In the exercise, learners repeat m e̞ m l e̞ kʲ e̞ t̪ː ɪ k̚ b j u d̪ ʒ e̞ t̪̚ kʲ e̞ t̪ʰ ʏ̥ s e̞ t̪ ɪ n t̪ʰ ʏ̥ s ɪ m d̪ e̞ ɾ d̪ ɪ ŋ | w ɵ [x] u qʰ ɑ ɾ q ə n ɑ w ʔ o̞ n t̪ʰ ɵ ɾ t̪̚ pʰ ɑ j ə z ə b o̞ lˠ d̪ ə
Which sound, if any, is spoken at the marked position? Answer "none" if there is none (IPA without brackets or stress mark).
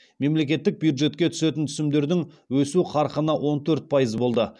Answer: s